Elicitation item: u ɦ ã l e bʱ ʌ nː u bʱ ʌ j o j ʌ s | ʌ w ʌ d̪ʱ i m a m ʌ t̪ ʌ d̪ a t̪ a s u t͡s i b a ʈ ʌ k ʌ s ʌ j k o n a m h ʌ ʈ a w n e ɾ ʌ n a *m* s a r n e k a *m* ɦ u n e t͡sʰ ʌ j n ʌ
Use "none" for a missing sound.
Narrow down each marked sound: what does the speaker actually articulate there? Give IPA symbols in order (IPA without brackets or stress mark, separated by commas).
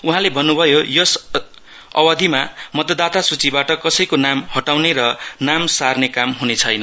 m, m